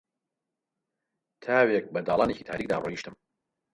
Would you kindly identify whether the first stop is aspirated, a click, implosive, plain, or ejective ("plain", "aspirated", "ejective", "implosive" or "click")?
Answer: aspirated